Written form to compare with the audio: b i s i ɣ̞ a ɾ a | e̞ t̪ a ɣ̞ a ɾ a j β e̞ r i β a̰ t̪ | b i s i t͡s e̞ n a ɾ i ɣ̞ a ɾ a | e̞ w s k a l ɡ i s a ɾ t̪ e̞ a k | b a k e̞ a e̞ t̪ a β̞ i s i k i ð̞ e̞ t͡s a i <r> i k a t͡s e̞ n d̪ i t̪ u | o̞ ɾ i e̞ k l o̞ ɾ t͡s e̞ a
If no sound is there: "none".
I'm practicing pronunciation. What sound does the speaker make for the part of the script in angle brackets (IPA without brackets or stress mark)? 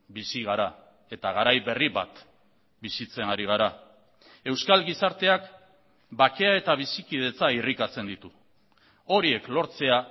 r